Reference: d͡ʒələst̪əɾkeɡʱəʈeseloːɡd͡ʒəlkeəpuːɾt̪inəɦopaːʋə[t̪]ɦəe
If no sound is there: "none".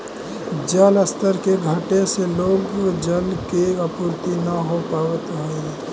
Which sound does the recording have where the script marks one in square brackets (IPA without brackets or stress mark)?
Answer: t̪